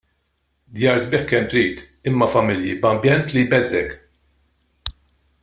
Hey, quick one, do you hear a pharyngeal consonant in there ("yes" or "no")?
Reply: yes